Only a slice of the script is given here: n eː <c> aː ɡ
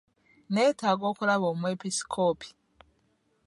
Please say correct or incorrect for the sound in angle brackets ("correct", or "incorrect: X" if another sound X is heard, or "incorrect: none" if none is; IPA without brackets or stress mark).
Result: incorrect: t